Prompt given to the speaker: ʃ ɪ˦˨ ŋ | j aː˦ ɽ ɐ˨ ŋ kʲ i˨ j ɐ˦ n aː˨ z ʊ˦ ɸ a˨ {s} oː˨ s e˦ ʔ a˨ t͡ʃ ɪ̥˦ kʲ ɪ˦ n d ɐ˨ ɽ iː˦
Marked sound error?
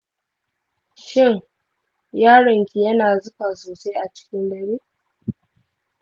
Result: no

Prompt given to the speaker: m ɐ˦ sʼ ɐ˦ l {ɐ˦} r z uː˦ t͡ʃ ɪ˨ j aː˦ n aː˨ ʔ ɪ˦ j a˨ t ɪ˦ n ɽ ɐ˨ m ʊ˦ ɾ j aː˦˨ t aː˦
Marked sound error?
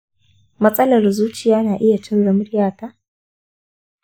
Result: yes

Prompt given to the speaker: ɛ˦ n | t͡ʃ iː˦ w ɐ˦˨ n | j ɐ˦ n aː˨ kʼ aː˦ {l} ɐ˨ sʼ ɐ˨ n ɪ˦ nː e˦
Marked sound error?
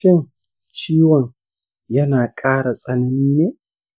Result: yes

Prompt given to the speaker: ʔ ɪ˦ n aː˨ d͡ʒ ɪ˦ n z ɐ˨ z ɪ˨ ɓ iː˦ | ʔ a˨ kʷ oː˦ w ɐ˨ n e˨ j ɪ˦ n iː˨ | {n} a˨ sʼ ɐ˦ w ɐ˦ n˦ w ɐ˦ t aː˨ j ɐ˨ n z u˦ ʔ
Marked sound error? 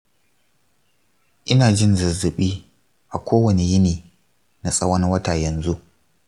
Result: no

